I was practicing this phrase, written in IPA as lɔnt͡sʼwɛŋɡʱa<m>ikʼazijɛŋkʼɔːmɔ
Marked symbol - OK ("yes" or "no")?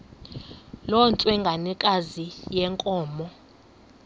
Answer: no